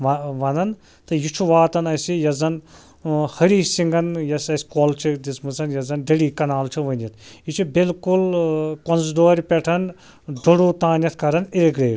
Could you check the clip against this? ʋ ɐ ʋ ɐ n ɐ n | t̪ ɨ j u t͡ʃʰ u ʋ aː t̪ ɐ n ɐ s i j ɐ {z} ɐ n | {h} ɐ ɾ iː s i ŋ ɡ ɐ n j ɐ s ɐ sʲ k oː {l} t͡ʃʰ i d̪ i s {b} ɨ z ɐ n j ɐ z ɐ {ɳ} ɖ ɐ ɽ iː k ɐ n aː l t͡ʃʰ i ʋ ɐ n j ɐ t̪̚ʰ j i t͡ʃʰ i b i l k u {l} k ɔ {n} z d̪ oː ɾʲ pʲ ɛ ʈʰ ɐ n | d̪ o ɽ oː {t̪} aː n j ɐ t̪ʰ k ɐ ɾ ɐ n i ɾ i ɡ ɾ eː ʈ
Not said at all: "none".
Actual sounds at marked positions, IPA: z, h, l, m, n, l, n, t̪

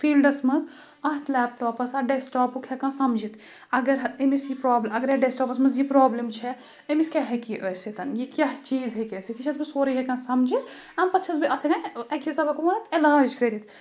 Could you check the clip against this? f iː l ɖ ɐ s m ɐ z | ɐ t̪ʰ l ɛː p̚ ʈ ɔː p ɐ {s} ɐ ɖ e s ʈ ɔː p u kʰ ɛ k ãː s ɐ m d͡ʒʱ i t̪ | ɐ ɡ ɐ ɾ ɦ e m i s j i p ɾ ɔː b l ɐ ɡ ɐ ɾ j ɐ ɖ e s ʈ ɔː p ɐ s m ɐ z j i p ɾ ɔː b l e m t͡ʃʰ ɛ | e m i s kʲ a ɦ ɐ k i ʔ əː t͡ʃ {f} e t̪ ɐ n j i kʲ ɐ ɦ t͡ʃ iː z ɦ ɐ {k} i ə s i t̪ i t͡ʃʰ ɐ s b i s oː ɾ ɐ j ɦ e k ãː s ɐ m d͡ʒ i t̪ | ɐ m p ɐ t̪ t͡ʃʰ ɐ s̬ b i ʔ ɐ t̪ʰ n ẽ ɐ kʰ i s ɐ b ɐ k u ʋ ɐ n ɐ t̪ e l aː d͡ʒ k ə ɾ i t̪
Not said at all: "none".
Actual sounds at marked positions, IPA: s, s, k

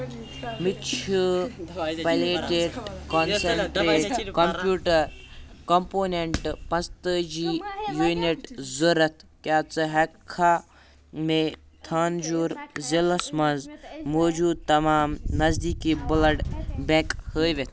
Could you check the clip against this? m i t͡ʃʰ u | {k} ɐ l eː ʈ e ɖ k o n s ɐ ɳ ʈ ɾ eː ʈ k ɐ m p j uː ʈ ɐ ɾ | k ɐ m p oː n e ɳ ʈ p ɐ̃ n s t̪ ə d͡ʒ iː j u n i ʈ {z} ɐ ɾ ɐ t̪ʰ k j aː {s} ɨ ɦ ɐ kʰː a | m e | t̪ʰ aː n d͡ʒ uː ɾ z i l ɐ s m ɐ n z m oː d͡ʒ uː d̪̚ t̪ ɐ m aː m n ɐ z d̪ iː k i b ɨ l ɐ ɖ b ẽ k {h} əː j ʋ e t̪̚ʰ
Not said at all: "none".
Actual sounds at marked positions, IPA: p, z, t͡s, h

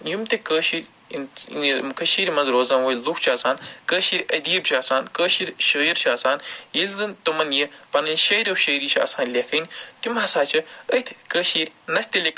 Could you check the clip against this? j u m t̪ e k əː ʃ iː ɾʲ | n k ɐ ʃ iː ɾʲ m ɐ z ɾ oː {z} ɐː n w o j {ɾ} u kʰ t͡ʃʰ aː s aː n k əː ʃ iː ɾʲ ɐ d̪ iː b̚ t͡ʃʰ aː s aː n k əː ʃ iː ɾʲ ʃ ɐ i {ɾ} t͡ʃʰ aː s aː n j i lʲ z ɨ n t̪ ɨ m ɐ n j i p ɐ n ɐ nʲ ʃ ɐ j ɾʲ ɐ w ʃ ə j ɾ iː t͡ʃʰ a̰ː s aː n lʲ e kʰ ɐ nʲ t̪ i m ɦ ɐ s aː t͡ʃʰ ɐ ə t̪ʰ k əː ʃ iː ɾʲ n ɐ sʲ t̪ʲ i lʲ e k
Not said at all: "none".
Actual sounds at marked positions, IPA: z, l, ɾ

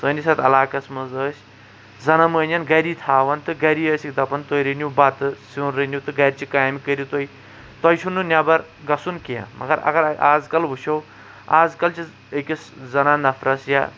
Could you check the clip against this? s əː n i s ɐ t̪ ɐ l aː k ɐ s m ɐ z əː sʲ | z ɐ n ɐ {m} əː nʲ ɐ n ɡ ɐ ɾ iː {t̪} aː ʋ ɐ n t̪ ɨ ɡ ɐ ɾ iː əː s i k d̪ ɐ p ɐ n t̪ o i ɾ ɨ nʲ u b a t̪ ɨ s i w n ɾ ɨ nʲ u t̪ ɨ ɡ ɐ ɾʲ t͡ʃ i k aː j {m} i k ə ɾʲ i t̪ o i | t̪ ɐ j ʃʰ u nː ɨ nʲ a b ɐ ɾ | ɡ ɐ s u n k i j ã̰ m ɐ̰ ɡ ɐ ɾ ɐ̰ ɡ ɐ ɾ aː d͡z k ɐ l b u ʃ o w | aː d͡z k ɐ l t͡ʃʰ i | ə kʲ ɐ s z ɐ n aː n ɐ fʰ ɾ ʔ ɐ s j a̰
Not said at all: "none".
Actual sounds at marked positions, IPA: m, t̪ʰ, m

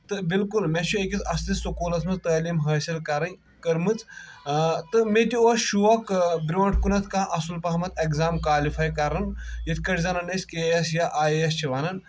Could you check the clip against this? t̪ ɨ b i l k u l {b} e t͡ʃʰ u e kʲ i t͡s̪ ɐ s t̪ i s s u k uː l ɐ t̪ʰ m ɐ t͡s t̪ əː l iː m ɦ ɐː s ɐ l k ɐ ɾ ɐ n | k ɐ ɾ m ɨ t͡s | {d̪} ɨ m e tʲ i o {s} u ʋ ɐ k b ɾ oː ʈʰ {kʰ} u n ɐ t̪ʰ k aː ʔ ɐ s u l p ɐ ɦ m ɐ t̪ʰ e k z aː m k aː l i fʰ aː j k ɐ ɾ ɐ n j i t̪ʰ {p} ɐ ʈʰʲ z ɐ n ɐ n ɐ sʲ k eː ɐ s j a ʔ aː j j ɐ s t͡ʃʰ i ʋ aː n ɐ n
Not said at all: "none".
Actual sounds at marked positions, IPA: m, t̪, ʃ, k, k

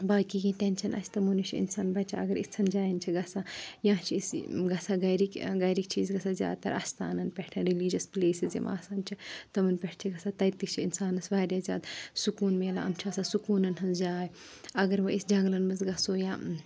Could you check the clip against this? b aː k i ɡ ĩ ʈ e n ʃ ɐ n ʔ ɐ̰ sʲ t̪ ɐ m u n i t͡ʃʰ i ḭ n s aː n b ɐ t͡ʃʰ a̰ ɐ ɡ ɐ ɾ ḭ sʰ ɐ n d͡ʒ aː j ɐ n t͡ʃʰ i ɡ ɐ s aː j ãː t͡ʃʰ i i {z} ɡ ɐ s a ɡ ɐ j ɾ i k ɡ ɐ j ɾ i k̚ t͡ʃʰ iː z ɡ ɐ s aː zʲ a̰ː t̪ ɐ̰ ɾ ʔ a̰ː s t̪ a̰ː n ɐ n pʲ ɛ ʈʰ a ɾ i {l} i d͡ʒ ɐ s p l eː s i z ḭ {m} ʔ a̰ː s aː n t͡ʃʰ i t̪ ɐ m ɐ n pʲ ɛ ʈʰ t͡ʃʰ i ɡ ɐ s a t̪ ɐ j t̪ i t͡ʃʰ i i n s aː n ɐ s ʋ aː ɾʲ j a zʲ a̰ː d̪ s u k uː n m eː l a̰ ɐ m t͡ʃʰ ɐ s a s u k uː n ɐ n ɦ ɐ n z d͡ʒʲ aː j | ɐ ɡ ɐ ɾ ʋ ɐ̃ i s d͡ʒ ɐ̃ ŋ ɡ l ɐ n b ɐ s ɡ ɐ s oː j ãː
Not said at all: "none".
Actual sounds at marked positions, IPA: s, l, m

